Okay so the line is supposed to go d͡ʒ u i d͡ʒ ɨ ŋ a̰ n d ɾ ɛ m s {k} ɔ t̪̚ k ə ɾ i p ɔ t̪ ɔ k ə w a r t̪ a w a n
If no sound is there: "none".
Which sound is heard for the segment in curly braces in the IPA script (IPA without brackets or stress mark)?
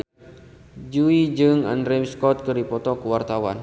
k